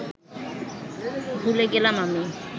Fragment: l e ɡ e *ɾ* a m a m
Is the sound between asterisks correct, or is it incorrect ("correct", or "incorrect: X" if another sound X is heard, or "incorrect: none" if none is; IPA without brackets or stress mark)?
incorrect: l